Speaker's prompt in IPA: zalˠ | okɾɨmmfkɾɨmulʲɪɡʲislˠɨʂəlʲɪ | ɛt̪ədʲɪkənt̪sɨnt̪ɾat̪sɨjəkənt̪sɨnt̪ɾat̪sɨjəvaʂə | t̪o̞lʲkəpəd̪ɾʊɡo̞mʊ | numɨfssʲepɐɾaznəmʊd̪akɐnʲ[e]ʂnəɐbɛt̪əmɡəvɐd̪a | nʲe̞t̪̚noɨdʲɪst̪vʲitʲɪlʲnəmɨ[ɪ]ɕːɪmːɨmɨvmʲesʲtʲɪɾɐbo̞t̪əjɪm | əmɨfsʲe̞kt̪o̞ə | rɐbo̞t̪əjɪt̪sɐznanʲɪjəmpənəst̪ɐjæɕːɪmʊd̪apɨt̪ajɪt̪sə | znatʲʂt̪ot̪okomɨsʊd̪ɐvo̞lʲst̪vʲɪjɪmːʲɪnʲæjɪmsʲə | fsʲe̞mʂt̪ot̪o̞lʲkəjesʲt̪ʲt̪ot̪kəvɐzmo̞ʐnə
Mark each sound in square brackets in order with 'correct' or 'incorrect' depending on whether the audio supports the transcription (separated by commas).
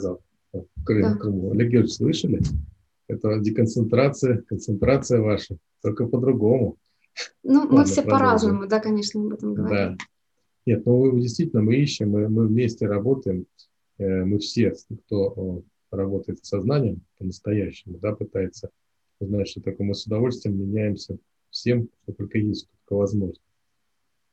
correct, incorrect